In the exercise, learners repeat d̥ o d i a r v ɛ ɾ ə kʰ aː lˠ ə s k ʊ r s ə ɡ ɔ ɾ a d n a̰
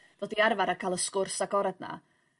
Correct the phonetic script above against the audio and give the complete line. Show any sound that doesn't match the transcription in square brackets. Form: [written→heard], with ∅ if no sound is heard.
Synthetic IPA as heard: d̥ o d i a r v [ɛ→a] ɾ [ə→a] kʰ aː lˠ ə s k ʊ r s [ə→a] ɡ ɔ ɾ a d n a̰